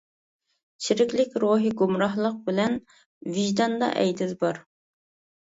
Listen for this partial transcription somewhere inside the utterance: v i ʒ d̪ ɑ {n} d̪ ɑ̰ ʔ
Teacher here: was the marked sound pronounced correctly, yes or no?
yes